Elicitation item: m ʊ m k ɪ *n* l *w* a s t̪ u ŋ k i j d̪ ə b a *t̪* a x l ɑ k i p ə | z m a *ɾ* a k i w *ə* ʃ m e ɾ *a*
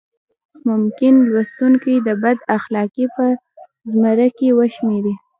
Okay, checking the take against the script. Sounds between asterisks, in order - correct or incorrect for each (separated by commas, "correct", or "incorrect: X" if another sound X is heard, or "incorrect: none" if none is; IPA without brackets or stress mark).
correct, correct, incorrect: d̪, correct, correct, incorrect: i